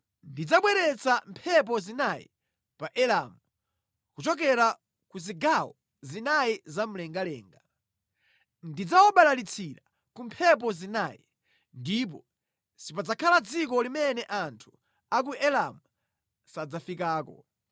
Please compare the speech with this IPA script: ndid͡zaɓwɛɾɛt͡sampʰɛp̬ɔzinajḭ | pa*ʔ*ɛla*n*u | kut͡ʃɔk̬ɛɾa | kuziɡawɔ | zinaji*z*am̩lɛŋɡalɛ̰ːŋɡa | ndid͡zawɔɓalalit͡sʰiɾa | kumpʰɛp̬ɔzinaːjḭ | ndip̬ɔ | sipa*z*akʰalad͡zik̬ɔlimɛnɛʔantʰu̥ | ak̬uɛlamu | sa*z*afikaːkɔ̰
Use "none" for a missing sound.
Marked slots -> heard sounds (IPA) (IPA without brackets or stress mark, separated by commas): ʔ, m, z, d͡z, d͡z